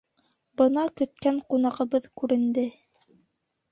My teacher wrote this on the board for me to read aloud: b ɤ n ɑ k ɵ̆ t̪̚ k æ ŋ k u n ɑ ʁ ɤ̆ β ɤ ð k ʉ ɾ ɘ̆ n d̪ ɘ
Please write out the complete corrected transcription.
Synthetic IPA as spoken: b ɤ n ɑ k ɵ̆ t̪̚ k æ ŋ q u n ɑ ʁ ɤ̆ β ɤ ð k ʉ ɾ ɘ̆ n d̪ ɘ